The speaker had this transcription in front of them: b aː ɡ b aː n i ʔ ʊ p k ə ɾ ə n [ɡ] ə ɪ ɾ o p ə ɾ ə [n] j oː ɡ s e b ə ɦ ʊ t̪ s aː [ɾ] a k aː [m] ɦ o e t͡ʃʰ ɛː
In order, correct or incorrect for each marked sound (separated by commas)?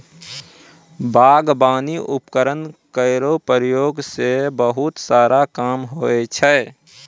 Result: incorrect, incorrect, correct, correct